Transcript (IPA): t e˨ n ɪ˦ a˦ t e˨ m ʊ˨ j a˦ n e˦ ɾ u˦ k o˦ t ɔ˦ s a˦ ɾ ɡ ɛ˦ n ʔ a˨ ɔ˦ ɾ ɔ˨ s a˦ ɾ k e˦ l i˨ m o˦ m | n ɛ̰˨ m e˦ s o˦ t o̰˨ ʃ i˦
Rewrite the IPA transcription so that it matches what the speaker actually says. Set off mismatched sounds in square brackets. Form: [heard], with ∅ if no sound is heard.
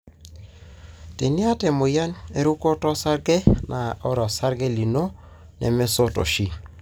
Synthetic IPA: t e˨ n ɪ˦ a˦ t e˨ m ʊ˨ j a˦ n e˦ ɾ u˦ k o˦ t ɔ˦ s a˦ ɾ ɡ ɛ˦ n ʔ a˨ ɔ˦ ɾ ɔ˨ s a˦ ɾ [ɡ] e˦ l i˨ [n] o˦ [∅] | n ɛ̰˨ m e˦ s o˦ t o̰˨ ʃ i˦

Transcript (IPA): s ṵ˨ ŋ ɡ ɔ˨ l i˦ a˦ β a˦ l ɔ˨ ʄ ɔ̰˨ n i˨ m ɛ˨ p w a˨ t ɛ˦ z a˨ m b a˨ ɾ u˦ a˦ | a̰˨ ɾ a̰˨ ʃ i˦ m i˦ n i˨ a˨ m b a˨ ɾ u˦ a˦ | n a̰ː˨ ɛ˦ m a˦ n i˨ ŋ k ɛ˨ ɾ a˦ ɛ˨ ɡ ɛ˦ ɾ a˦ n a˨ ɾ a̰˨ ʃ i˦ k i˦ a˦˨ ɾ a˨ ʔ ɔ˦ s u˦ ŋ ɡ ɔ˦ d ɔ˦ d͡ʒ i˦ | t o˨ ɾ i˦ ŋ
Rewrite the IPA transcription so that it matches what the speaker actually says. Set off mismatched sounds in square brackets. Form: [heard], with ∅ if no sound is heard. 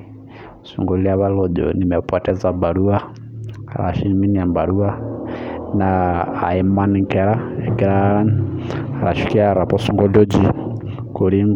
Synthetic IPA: s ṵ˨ ŋ ɡ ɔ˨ l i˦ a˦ β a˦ l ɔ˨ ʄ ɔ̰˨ n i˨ m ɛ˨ p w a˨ t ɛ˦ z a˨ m b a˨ ɾ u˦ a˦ | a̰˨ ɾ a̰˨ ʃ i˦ m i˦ n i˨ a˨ m b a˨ ɾ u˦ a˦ | n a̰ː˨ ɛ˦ m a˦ n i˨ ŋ k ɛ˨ ɾ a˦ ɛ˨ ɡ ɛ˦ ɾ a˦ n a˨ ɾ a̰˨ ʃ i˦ k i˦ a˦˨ ɾ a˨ [p] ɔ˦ s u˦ ŋ ɡ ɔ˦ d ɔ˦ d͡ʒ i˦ | [k] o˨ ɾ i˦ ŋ

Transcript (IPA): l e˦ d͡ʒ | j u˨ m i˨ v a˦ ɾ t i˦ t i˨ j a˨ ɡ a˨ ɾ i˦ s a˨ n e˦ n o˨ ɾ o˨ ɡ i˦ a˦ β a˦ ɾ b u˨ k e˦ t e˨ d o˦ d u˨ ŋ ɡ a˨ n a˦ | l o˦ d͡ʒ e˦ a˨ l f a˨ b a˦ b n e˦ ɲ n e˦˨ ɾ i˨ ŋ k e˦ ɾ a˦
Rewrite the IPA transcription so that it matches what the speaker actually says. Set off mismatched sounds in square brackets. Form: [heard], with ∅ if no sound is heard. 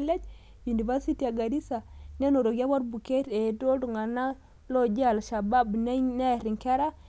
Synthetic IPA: l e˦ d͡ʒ | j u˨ [n] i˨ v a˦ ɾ [s] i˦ t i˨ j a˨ ɡ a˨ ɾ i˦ s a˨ n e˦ n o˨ ɾ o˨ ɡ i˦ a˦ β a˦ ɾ b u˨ k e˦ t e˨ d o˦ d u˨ ŋ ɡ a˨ n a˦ | l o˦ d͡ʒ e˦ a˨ l [ʃ] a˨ b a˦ b n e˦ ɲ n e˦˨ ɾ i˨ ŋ k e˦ ɾ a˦

